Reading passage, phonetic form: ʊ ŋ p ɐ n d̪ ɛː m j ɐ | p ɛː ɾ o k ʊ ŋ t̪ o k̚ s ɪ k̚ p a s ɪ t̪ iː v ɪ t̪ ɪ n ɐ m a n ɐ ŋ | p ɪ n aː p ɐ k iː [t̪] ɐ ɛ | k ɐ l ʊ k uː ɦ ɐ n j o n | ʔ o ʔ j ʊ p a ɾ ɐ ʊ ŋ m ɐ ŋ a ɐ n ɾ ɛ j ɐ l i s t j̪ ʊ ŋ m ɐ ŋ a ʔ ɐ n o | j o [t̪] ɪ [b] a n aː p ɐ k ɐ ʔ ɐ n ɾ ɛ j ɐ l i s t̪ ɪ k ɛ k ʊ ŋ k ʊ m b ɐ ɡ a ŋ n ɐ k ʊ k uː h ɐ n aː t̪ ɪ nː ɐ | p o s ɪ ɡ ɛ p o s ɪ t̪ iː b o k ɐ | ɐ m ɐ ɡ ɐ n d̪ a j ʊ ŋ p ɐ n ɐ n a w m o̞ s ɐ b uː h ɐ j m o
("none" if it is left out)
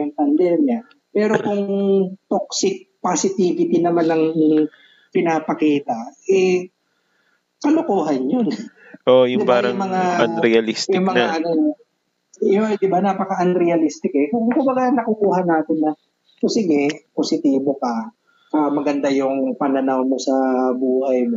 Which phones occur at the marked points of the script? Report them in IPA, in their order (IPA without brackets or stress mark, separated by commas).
t̪, d̪, b